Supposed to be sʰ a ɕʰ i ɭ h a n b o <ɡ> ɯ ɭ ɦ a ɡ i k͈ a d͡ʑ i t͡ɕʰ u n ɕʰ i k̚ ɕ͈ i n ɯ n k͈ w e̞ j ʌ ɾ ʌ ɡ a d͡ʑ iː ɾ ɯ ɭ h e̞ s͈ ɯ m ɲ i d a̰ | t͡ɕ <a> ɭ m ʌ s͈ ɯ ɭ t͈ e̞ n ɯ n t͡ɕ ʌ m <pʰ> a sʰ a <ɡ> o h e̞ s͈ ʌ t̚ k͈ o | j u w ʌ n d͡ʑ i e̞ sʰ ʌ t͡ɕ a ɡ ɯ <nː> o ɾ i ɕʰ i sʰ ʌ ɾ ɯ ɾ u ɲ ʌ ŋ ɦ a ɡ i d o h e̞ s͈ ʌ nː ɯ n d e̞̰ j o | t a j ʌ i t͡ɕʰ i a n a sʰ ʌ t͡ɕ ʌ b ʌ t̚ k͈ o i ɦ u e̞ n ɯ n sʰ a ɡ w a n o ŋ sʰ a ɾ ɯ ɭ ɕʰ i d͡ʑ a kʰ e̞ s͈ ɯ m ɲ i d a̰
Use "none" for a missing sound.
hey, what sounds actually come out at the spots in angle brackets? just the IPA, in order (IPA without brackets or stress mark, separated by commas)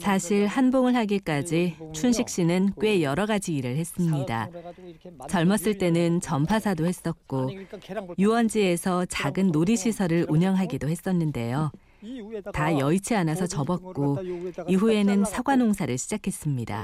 ŋ, ʌ, pʰ, d, nː